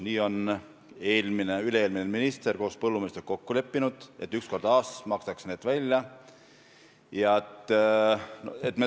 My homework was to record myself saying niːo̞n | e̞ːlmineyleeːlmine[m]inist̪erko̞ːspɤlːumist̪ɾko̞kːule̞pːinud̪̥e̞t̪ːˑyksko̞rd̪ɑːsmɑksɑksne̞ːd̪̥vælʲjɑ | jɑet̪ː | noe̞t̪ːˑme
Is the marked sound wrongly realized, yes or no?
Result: no